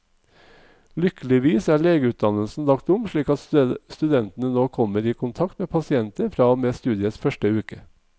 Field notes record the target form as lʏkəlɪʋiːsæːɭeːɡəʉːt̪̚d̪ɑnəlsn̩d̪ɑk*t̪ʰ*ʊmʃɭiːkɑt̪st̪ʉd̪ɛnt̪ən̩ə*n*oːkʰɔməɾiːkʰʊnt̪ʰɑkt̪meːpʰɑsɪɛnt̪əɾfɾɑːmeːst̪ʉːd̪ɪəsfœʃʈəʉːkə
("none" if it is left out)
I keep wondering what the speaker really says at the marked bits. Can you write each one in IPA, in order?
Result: t̪, n

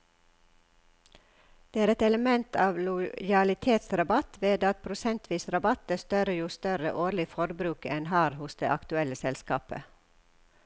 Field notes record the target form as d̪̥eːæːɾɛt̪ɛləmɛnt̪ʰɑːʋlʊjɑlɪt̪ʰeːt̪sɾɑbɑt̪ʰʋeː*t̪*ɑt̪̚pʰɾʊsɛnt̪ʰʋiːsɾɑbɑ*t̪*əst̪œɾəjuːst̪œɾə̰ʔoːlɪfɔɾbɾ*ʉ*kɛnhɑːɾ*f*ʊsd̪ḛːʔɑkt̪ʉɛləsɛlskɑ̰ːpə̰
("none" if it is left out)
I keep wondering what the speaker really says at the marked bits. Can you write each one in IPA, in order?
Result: d̪, t̪, ʉː, h

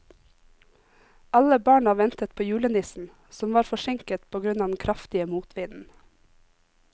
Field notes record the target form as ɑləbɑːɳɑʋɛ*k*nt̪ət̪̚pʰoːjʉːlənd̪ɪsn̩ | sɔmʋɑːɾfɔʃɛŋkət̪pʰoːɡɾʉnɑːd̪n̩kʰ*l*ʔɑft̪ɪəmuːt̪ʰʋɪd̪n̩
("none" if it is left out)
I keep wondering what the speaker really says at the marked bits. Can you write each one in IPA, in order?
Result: none, ɾ

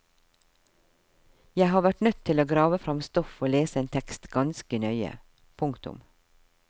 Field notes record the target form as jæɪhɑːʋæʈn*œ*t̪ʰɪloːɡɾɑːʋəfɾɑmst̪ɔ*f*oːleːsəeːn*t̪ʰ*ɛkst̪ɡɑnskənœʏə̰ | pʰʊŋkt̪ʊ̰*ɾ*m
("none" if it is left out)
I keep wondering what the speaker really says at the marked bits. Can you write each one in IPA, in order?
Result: œ, f, t̪ʰ, none

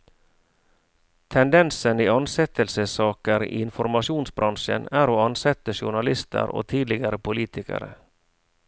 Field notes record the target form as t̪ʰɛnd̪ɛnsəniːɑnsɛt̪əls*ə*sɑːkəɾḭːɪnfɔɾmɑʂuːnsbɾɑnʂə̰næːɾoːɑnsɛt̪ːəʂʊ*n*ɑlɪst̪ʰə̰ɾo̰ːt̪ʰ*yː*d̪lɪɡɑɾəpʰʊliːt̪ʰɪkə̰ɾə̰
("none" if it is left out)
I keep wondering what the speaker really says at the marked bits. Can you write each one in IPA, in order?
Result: ə, ɳ, iː

